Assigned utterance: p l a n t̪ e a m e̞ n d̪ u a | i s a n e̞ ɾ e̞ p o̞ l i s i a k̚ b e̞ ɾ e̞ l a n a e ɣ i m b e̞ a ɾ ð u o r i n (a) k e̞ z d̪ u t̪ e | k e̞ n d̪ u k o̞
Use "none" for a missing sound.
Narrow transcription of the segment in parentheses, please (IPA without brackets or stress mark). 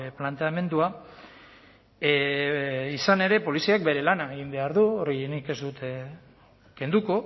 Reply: i